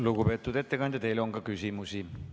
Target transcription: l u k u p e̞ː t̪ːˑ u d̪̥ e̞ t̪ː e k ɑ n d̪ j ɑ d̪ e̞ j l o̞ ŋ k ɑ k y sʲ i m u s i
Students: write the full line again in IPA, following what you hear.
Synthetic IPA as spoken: l u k u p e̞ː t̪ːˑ u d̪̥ e̞ t̪ː e k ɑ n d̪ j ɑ t̪ e̞ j l o̞ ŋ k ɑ k y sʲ i m u s i